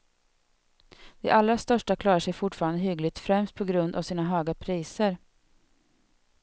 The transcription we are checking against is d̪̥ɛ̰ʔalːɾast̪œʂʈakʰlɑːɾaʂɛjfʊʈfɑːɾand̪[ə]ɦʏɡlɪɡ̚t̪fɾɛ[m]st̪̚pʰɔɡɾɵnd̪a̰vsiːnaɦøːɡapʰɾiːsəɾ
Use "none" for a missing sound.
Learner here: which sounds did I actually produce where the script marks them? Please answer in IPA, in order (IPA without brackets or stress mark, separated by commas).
ə, m